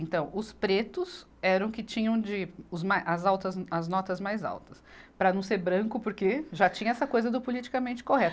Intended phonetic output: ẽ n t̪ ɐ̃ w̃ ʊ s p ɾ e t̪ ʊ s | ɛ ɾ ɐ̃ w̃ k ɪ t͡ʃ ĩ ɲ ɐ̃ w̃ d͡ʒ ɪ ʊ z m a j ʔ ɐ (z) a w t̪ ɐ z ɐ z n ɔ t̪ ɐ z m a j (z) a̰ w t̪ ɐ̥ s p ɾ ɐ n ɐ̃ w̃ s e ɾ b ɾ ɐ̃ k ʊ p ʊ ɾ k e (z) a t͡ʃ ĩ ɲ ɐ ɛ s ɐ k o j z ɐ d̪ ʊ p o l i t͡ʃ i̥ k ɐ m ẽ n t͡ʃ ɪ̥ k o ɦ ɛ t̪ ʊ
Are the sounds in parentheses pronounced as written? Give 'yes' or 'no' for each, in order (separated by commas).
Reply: yes, yes, no